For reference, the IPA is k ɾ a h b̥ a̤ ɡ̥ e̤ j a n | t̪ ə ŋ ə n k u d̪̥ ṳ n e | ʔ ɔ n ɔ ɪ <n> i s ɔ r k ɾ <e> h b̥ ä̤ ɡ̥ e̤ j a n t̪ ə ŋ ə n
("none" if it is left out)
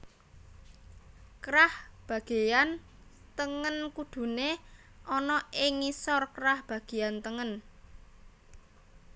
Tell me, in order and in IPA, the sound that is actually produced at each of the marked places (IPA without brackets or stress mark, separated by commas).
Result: ŋ, a